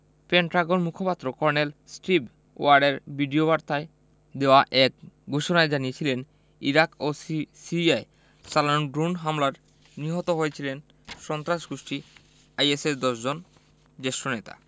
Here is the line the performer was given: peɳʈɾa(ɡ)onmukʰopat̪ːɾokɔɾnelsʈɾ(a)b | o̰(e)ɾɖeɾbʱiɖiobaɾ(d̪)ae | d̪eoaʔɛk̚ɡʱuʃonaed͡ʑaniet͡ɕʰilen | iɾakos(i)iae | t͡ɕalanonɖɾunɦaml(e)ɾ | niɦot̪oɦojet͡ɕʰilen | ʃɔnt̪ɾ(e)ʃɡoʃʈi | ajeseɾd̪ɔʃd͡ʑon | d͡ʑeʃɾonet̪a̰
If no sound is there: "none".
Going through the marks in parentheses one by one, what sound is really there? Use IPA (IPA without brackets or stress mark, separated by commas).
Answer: ɡ, i, a, t̪, i, a, a